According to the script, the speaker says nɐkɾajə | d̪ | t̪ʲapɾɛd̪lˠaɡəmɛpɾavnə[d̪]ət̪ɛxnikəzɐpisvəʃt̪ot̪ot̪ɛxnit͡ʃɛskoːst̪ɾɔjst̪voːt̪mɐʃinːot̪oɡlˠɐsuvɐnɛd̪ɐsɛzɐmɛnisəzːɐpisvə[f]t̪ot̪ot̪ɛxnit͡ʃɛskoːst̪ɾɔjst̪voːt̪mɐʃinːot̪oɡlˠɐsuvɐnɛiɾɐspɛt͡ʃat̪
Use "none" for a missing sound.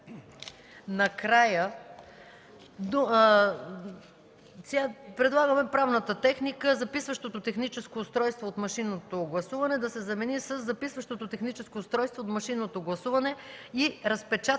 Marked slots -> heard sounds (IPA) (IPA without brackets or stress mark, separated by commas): t̪, ʃ